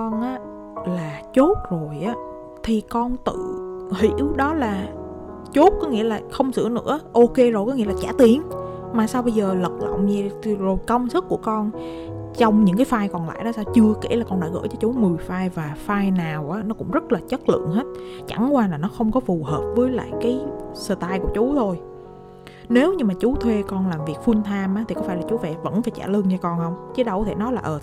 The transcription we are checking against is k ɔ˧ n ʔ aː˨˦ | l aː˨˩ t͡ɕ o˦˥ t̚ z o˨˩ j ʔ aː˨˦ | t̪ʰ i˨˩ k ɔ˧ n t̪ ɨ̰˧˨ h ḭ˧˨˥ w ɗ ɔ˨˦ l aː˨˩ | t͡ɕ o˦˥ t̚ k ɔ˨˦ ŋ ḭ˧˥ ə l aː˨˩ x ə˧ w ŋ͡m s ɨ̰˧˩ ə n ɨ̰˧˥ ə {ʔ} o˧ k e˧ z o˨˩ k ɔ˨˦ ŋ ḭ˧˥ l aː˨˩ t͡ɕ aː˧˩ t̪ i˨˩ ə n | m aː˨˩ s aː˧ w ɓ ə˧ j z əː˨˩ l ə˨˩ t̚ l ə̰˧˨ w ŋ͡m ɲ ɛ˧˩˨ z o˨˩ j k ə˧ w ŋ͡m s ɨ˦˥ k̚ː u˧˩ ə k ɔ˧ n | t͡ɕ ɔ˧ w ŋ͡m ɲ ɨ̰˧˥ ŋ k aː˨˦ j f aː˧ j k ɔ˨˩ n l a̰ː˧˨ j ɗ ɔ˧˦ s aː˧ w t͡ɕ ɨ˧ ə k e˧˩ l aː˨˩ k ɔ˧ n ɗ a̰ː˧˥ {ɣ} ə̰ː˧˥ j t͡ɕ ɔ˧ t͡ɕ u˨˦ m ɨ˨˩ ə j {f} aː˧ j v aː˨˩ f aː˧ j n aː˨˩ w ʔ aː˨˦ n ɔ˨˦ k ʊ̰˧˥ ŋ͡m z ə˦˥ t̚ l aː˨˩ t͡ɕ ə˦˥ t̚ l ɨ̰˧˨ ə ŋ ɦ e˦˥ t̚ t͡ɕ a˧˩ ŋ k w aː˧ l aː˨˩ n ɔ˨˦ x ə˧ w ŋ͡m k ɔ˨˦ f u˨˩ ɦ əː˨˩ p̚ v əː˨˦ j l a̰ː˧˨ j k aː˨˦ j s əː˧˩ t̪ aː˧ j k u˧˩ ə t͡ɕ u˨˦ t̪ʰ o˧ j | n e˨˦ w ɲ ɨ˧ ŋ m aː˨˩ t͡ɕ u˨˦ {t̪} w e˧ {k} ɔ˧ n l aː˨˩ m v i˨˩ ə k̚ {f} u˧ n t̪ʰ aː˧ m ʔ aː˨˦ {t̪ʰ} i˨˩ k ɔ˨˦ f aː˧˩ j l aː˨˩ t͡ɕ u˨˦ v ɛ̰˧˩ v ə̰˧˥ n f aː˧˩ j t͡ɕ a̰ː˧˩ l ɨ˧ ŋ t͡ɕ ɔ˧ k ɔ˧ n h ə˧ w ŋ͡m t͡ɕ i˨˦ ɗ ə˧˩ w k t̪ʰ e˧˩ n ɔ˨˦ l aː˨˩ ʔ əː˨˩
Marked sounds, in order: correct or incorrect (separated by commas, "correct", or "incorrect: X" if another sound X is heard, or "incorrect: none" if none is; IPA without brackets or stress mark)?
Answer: correct, correct, correct, incorrect: t̪ʰ, correct, correct, incorrect: t̪